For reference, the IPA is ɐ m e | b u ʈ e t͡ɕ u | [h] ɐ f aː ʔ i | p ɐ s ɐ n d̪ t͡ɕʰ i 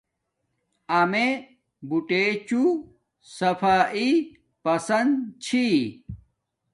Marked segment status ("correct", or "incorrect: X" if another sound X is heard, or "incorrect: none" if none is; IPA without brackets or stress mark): incorrect: s